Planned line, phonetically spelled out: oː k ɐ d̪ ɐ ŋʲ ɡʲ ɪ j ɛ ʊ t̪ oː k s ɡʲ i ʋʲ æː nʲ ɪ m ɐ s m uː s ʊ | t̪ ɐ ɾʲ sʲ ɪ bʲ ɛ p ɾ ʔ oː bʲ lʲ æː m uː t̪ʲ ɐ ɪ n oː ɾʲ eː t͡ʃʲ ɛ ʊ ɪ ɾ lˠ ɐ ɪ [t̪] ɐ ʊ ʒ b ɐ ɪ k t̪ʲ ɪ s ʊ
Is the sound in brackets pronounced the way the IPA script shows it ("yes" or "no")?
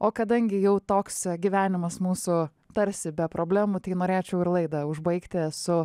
no